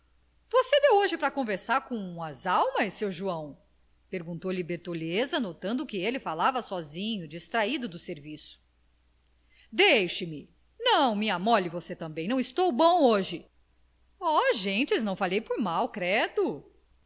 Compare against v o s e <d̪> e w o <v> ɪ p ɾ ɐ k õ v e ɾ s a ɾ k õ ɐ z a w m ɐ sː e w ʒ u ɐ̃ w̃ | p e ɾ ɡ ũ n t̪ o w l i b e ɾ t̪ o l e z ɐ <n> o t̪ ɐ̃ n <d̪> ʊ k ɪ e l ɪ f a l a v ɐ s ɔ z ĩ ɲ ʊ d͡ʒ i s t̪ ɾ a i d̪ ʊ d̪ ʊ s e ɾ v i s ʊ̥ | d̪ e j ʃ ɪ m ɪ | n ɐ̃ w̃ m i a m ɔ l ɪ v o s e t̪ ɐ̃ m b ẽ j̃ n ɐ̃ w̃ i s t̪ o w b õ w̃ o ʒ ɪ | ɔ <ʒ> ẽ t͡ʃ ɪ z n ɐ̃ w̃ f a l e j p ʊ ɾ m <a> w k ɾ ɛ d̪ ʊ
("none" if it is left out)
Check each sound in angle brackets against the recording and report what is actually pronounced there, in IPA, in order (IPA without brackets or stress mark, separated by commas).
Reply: d̪, ʒ, n, d̪, ʒ, a